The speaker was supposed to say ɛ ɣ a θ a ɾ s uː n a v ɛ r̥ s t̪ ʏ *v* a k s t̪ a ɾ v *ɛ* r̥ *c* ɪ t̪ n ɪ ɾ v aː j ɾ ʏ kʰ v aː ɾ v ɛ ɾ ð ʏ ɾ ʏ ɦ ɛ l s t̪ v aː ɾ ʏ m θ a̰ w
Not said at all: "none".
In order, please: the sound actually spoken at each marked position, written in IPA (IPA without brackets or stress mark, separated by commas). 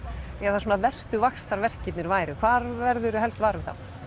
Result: v, ɛ, c